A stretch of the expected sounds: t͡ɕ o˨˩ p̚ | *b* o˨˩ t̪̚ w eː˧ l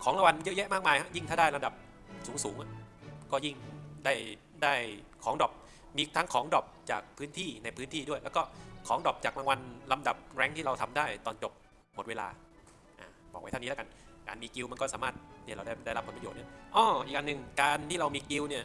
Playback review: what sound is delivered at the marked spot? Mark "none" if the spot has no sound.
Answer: m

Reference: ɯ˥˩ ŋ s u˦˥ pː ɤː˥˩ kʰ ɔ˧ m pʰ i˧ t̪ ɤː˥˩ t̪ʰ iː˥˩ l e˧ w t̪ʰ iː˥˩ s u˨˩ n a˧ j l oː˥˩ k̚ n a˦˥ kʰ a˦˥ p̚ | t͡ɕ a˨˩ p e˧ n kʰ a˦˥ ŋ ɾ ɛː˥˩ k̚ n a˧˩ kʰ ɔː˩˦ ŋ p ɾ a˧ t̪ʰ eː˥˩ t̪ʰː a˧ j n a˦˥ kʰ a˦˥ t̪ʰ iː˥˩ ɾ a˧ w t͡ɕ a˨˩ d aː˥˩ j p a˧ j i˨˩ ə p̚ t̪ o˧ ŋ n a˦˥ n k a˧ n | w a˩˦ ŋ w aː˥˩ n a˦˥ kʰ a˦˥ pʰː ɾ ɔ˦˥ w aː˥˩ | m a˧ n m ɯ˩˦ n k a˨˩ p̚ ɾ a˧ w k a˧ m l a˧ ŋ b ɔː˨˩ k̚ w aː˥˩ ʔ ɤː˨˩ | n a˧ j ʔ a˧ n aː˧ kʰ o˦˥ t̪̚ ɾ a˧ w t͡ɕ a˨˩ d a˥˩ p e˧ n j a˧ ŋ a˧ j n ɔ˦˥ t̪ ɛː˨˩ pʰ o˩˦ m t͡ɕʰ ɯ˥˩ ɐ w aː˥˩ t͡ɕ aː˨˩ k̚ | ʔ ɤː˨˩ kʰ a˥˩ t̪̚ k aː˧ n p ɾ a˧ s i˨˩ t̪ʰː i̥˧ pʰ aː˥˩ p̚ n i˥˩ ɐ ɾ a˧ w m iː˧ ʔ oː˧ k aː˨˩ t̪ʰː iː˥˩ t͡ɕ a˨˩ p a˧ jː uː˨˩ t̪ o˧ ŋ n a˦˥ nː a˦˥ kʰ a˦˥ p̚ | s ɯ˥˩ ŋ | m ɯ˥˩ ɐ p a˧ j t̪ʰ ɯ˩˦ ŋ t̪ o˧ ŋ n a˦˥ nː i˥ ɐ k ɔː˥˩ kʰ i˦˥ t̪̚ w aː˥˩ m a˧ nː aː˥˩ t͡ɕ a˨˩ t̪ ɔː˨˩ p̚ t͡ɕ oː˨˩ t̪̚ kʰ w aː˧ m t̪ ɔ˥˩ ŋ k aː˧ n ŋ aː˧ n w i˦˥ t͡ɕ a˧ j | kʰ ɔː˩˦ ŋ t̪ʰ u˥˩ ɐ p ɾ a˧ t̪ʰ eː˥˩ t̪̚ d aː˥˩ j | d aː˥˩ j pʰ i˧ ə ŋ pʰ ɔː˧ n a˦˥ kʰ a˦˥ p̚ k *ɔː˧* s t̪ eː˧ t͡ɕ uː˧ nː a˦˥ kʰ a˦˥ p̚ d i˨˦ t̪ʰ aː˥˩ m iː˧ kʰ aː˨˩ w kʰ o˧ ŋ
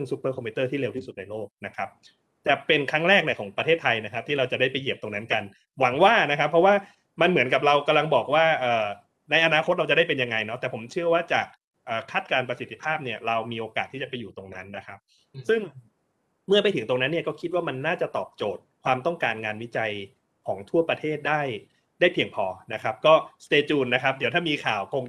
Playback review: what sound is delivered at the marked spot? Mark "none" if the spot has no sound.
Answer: ɔː˥˩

